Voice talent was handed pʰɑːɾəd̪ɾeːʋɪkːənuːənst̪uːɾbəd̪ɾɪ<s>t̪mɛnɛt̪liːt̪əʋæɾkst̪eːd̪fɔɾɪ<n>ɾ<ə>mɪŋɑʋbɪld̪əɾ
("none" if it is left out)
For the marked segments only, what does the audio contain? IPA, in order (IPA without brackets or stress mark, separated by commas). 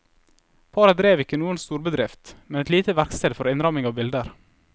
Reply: f, n, ɑ